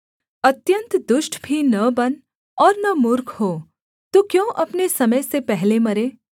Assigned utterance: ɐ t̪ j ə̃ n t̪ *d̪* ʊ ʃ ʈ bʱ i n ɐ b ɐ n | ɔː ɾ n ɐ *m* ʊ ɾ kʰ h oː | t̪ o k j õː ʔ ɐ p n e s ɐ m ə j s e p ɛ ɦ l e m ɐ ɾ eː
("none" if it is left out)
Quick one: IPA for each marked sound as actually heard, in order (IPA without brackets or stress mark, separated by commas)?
d̪, m